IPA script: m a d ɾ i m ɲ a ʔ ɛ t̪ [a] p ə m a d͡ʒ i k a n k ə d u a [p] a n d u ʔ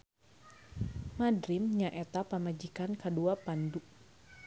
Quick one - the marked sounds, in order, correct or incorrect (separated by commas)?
correct, correct